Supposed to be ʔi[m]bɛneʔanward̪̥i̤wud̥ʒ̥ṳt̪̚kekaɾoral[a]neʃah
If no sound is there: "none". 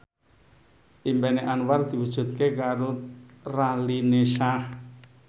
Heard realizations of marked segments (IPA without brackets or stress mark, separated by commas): m, i